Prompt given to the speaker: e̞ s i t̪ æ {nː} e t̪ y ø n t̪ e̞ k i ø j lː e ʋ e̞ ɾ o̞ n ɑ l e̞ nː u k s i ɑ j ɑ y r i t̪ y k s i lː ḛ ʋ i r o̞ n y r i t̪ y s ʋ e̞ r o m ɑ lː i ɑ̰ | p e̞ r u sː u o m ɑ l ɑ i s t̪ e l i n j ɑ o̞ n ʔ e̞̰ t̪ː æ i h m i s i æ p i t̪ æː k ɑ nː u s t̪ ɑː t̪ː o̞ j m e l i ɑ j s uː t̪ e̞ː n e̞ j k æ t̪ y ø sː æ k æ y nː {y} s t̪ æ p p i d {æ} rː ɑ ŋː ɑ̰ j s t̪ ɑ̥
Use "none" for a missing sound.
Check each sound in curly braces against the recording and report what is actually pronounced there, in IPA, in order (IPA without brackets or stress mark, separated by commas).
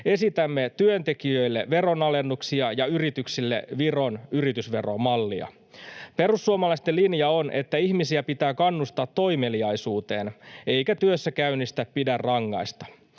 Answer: mː, i, æ